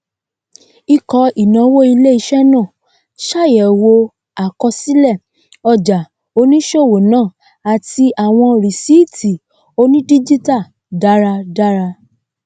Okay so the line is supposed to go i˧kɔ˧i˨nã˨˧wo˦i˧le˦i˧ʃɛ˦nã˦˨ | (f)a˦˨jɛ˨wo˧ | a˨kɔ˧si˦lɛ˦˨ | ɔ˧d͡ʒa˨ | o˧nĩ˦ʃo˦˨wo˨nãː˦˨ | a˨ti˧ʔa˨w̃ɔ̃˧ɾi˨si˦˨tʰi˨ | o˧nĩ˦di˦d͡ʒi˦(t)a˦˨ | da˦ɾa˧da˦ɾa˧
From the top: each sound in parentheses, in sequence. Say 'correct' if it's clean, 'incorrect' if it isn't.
incorrect: ʃ, correct

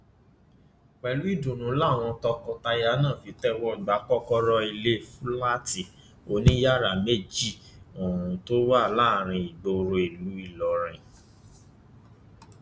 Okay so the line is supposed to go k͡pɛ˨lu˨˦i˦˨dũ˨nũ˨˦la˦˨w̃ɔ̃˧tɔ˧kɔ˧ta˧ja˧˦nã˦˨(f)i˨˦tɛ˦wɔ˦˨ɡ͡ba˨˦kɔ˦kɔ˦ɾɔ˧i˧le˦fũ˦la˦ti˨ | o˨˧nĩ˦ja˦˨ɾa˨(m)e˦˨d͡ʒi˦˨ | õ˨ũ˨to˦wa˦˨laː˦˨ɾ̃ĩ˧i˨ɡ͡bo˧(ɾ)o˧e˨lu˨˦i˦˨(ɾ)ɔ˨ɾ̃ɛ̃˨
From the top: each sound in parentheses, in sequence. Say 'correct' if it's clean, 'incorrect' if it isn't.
correct, correct, correct, incorrect: l

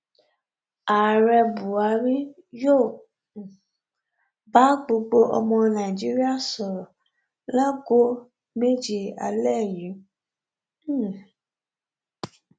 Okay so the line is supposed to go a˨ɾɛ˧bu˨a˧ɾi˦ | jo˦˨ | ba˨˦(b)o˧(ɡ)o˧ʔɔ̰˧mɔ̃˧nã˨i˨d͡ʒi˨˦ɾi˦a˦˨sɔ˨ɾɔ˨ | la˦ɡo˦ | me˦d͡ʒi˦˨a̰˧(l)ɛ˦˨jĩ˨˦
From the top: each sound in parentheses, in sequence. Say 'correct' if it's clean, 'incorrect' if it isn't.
incorrect: ɡ͡b, incorrect: ɡ͡b, correct

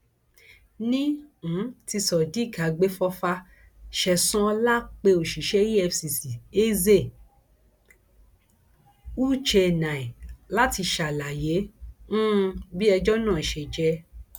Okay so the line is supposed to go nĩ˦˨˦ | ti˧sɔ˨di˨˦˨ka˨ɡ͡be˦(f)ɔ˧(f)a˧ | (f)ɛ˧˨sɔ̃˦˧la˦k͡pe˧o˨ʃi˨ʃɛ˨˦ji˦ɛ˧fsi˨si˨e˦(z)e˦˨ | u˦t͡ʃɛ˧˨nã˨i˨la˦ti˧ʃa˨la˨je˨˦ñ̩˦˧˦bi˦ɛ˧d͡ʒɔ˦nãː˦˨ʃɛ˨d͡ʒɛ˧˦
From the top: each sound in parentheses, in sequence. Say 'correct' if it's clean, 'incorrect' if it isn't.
correct, correct, incorrect: ʃ, correct

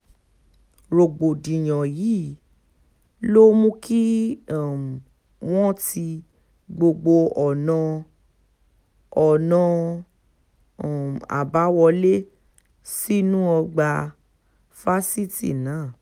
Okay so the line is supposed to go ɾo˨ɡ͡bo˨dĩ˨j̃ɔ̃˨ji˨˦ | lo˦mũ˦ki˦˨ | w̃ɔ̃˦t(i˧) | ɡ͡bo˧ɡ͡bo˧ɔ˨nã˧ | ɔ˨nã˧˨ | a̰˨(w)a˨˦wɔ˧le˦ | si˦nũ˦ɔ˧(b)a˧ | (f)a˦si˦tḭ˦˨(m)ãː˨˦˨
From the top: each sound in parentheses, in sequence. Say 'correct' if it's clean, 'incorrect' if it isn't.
correct, incorrect: b, incorrect: ɡ͡b, correct, incorrect: n

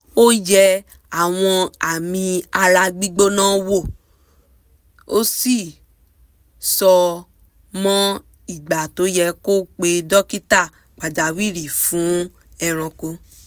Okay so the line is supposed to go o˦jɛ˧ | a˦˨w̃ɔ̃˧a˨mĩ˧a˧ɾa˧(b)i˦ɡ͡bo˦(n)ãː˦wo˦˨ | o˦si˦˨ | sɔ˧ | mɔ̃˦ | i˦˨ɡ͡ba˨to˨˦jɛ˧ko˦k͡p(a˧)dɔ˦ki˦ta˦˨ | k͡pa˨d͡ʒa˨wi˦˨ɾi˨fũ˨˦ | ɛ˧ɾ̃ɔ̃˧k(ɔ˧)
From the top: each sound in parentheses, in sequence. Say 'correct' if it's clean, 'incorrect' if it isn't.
incorrect: ɡ͡b, correct, incorrect: e˧, incorrect: o˧

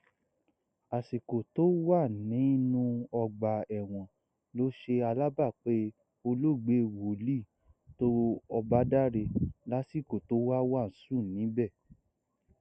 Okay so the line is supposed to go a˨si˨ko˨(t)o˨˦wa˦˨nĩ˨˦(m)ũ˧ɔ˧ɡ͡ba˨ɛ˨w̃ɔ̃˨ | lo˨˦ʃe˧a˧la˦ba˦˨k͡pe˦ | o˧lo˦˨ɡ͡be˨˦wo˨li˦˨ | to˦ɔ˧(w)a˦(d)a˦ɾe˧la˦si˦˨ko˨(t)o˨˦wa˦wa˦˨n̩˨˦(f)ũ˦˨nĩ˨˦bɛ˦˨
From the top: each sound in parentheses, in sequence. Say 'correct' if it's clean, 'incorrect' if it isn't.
correct, incorrect: n, incorrect: b, correct, correct, incorrect: s

